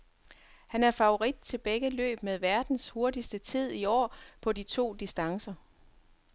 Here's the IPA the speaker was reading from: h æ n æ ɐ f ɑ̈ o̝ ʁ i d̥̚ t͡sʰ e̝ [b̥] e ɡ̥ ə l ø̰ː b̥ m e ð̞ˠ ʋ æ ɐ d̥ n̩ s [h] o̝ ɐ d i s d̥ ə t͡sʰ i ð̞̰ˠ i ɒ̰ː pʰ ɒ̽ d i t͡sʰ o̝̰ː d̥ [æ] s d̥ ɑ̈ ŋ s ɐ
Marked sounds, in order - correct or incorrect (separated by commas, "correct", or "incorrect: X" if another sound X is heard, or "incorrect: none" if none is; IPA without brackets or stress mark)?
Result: correct, correct, incorrect: i